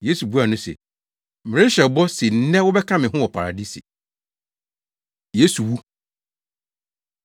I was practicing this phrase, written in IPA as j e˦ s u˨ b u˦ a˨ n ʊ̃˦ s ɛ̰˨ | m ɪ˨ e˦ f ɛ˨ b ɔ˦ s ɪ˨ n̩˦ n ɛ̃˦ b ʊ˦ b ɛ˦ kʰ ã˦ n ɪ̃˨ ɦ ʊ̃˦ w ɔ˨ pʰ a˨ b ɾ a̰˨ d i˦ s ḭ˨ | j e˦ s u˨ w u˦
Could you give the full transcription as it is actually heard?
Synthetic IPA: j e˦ s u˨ b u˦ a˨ n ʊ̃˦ s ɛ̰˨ | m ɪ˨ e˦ ɕ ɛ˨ b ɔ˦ s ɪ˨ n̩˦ n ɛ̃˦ w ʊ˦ b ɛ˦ kʰ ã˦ m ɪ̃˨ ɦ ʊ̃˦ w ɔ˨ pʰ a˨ ɾ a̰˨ d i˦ s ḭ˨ | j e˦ s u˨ w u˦